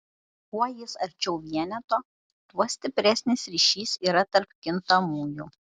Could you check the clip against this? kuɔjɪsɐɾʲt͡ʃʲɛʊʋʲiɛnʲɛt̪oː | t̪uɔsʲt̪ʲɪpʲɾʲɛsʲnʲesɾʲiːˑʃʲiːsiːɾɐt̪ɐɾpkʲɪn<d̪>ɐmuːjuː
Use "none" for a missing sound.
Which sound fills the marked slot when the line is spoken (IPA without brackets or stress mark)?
t̪